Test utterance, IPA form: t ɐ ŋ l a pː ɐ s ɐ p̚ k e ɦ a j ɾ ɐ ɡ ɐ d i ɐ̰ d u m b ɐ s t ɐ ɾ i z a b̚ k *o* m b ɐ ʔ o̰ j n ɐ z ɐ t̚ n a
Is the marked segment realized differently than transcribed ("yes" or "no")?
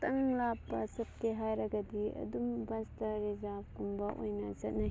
yes